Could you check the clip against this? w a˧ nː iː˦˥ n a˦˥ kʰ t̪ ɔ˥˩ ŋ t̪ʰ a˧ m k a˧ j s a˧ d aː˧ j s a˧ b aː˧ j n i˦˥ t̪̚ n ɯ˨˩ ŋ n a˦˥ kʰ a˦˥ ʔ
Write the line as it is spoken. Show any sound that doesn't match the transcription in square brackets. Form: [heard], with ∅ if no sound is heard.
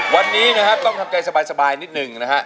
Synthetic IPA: w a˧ nː iː˦˥ n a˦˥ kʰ t̪ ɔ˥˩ ŋ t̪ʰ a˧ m k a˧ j s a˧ [b] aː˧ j s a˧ b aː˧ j n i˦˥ t̪̚ n ɯ˨˩ ŋ n a˦˥ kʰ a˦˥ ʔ